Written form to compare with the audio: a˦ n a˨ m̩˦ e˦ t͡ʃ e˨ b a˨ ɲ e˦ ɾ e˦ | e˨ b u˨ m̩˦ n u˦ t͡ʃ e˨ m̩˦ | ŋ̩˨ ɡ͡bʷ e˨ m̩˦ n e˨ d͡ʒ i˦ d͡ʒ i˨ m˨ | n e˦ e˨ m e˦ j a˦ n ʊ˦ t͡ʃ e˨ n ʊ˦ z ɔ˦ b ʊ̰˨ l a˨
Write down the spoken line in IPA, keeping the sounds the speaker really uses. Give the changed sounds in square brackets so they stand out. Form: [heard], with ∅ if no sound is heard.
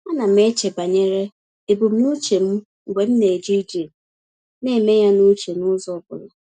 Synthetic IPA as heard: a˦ n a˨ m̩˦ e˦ t͡ʃ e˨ b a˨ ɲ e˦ ɾ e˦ | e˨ b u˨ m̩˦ n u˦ t͡ʃ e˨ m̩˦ | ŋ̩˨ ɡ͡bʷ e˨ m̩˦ n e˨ d͡ʒ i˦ d͡ʒ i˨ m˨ | n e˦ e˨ m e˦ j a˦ n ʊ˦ t͡ʃ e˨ n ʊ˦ z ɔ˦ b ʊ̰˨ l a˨